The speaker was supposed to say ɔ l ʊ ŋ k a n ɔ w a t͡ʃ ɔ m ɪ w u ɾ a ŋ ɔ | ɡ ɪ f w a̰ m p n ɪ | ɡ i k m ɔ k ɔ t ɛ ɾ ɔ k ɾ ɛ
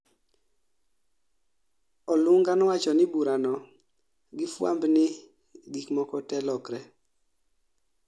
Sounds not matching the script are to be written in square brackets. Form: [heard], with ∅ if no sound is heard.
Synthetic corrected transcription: ɔ l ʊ ŋ [ɡ] a n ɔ w a t͡ʃ ɔ [n] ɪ [b] u ɾ a [n] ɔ | ɡ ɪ f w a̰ m [b] n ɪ | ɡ i k m ɔ k ɔ t ɛ [l] ɔ k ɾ ɛ